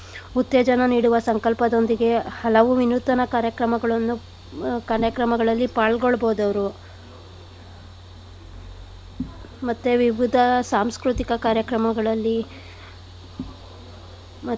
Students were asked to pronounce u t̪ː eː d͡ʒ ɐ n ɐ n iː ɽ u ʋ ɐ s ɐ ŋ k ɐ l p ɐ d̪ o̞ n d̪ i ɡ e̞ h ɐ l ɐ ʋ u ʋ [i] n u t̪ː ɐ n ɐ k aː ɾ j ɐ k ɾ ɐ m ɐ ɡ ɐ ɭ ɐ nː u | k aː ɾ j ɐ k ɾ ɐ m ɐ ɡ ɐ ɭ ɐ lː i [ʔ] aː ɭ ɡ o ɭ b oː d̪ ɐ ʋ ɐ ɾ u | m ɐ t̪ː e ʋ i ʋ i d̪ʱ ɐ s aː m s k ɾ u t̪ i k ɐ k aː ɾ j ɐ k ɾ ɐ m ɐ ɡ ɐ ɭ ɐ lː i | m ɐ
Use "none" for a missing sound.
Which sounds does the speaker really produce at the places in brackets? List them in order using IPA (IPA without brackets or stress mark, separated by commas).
i, p